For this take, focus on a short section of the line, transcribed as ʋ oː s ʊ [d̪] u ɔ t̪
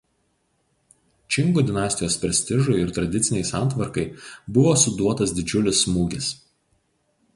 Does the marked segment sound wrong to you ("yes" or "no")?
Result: no